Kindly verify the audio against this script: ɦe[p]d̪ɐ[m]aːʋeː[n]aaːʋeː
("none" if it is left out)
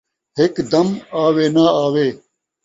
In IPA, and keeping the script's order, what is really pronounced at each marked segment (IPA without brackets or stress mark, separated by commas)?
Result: k, m, n